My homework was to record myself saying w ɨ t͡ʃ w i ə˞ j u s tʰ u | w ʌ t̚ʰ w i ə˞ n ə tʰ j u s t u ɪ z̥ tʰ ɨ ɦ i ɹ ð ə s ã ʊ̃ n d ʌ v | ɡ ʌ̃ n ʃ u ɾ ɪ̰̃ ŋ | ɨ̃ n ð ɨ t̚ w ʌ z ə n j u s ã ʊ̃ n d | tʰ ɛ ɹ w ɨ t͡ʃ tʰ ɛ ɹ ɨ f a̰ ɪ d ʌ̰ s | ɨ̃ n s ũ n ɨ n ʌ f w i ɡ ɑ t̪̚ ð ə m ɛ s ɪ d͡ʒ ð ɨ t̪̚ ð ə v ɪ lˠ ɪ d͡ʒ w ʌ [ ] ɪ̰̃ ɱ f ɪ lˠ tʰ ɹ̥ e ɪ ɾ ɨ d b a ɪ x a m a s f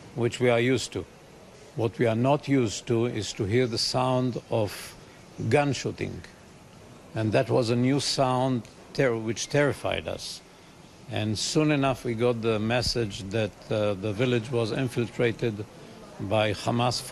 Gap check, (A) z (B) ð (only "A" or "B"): A